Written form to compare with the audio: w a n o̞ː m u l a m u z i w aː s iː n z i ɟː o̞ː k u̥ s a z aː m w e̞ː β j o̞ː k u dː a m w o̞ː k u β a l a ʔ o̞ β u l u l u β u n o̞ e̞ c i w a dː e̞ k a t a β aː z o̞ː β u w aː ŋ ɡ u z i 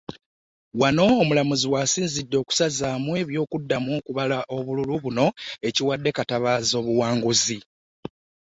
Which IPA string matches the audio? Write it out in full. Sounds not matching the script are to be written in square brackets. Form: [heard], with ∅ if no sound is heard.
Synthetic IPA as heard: w a n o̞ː m u l a m u z i w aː s iː n z i [dː] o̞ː k u̥ s a z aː m w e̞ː β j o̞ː k u dː a m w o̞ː k u β a l a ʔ o̞ β u l u l u β u n o̞ e̞ c i w a dː e̞ k a t a β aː z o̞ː β u w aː ŋ ɡ u z i